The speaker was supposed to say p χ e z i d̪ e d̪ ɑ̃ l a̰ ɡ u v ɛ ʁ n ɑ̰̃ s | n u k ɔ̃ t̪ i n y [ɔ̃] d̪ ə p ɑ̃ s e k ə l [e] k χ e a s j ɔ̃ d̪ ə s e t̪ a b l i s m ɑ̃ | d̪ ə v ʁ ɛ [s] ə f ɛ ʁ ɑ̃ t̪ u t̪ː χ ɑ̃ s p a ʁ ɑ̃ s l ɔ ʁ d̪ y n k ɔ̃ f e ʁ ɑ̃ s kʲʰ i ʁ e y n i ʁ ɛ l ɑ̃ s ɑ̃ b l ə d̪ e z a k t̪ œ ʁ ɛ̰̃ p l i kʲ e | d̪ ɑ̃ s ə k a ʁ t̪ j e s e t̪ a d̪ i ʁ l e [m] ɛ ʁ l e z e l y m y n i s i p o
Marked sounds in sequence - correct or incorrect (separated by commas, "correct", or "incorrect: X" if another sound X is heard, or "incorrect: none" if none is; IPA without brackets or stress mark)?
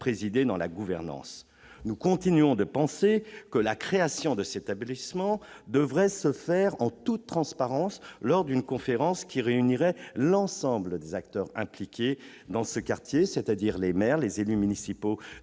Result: correct, incorrect: a, correct, correct